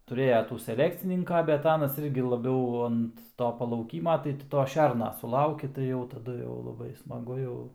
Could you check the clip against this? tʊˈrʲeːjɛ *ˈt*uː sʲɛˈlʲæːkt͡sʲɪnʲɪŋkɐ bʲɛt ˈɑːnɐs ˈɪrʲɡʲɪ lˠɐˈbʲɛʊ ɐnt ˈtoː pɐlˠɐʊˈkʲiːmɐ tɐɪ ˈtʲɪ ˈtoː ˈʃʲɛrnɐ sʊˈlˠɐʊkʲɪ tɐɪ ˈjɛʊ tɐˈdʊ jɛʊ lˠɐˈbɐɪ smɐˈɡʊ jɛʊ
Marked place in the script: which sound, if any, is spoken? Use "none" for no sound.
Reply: t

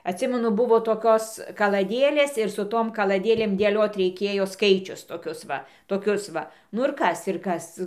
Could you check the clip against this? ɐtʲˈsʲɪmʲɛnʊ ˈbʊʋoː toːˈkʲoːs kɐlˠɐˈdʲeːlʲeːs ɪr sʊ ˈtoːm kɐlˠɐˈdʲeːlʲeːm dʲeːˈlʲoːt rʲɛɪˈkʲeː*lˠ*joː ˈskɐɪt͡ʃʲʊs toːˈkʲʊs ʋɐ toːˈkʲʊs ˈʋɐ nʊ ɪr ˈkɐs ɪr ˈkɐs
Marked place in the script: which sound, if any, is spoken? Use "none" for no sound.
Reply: none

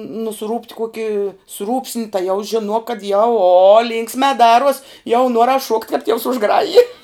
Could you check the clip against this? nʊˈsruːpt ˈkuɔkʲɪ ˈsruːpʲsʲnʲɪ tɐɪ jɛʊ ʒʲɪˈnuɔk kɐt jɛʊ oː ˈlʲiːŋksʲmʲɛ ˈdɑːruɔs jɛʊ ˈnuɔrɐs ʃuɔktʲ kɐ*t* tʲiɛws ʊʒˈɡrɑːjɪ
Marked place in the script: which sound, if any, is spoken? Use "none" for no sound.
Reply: p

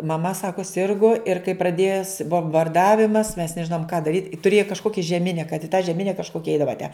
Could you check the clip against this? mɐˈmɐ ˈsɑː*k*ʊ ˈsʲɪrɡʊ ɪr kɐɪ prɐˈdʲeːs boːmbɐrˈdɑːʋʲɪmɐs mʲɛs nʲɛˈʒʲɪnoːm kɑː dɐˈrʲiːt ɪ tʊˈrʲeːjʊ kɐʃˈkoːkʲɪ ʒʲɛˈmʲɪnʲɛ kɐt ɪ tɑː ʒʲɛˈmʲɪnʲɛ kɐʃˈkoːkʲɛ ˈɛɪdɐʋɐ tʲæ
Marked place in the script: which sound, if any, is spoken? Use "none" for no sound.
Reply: k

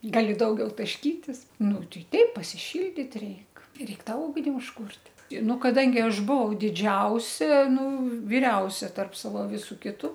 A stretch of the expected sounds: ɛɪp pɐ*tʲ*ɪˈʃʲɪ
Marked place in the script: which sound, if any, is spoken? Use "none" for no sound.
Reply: sʲ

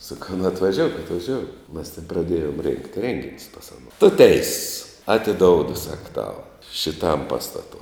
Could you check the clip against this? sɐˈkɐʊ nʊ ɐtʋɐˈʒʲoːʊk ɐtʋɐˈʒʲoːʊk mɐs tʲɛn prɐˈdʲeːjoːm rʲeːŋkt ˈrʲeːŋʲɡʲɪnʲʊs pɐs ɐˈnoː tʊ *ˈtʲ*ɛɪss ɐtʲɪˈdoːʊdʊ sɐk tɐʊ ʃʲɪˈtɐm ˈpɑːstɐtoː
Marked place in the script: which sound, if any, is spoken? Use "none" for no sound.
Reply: tʲ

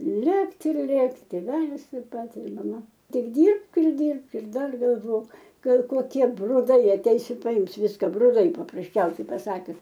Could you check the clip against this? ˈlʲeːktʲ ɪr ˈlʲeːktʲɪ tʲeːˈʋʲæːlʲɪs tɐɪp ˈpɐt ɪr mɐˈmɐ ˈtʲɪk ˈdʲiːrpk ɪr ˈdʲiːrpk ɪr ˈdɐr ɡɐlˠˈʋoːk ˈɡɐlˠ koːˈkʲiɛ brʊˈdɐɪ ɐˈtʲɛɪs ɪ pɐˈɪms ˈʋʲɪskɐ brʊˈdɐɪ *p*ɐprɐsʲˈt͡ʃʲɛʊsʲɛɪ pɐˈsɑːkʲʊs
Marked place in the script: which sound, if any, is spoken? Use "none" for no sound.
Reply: p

